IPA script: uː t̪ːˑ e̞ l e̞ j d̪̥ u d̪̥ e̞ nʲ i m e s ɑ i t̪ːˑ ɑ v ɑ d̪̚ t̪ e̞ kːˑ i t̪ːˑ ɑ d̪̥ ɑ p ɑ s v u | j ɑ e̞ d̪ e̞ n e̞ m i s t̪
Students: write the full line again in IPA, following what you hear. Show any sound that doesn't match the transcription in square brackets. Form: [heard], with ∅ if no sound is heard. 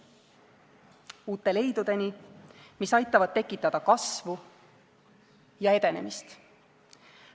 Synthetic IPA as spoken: uː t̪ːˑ e̞ l e̞ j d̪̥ u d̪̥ e̞ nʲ i m [i] s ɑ [j] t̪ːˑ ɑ v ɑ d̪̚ t̪ e̞ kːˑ i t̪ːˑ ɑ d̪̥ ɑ [k] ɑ s v u | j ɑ e̞ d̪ e̞ n e̞ m i s t̪